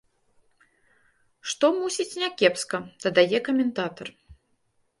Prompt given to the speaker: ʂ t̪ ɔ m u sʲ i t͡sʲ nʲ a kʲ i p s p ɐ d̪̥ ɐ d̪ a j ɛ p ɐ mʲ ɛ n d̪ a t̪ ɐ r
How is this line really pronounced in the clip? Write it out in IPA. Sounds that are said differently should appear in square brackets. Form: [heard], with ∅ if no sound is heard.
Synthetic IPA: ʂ t̪ ɔ m u sʲ i t͡sʲ nʲ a kʲ [ɛ] p s [k] ɐ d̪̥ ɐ d̪ a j ɛ [k] ɐ mʲ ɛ n [t̪] a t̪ ɐ r